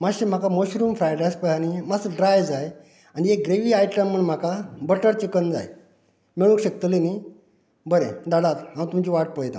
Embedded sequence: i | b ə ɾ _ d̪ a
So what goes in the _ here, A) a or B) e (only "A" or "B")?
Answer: B